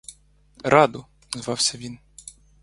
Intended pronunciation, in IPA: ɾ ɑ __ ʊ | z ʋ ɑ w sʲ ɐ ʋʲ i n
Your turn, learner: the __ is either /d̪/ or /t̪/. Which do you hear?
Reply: d̪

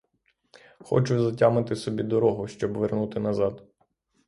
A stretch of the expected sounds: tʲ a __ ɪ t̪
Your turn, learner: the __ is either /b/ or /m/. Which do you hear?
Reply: m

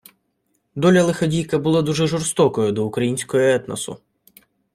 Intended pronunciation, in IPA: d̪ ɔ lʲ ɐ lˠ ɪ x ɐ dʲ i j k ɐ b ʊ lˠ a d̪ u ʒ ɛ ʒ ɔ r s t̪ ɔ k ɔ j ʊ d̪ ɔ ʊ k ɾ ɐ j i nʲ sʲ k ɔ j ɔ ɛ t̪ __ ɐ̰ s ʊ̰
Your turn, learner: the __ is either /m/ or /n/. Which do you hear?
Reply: n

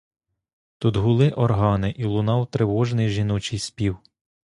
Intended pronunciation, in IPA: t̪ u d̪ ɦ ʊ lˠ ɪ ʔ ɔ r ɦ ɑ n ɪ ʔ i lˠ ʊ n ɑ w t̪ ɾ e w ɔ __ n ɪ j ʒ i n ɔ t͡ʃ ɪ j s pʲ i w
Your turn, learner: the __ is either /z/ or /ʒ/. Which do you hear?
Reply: ʒ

